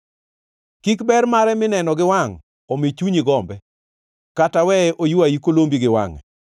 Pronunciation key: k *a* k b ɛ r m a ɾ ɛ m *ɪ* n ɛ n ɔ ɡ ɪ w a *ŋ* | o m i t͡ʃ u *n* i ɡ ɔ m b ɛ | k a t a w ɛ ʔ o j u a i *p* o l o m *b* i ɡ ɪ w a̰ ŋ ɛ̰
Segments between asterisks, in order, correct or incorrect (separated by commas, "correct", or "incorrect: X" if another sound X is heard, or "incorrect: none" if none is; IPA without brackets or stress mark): incorrect: i, correct, correct, incorrect: ɲ, incorrect: k, correct